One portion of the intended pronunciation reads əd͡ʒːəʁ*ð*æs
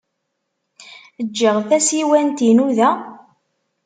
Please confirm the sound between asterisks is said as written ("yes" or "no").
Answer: no